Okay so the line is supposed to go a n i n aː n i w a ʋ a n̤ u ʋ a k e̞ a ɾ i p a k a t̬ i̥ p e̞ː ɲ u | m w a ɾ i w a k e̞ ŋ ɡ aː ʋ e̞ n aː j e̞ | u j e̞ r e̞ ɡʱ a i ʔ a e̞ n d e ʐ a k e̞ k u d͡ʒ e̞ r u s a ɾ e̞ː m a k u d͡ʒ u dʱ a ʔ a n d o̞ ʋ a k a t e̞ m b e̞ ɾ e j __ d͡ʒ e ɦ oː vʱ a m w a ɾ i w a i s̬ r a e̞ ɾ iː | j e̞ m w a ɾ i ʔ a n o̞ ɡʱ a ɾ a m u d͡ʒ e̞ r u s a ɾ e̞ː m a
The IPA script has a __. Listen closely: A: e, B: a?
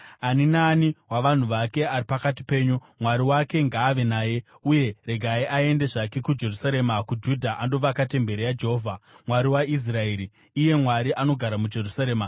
B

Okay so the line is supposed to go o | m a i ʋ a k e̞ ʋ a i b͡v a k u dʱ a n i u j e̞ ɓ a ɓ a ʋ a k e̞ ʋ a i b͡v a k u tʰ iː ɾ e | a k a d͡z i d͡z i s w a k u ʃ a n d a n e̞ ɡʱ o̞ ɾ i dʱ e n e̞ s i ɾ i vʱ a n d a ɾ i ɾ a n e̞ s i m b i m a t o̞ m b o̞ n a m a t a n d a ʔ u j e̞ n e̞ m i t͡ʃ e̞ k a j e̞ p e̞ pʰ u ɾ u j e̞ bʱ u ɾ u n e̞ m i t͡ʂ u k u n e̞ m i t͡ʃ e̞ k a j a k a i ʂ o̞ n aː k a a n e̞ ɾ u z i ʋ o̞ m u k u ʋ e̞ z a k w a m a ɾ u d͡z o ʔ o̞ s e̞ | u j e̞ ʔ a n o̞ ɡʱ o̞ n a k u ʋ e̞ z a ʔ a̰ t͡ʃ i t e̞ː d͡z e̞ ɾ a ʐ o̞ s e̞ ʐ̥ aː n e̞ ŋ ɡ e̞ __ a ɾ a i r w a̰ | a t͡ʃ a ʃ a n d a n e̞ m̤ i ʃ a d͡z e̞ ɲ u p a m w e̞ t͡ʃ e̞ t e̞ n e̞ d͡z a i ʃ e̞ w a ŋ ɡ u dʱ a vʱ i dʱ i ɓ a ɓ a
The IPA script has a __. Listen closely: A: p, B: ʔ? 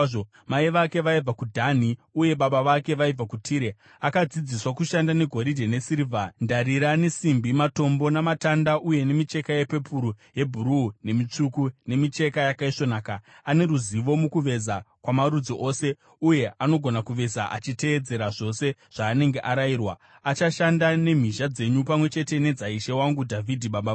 B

